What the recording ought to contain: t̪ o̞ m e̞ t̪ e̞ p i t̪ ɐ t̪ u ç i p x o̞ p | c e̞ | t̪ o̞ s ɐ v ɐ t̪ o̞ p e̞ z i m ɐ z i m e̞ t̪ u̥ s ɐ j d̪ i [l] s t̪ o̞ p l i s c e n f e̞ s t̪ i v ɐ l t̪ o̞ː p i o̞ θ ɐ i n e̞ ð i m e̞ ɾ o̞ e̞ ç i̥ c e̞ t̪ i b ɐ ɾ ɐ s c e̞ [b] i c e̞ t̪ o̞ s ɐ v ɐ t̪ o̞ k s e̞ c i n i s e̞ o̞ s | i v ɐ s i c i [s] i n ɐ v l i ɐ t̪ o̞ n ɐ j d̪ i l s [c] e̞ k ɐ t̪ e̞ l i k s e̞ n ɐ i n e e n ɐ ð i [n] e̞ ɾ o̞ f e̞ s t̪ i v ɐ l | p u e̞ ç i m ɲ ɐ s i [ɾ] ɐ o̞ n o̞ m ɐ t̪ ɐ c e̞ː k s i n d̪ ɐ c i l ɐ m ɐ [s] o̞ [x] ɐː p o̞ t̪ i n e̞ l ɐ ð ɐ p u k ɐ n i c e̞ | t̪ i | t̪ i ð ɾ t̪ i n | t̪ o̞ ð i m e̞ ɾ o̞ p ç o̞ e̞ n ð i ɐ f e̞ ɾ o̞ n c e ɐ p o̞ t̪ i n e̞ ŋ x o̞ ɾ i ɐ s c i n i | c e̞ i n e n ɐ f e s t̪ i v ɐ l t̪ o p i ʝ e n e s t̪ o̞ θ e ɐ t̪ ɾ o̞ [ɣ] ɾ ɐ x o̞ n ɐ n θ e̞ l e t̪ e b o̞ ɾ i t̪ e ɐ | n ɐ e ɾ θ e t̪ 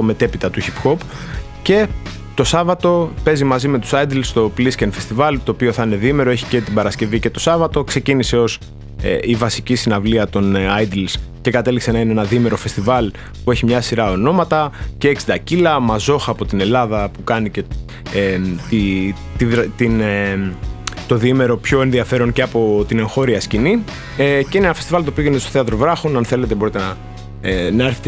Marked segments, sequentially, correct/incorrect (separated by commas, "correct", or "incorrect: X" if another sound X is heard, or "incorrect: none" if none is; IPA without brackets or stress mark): correct, incorrect: v, correct, correct, incorrect: m, correct, incorrect: z, correct, incorrect: v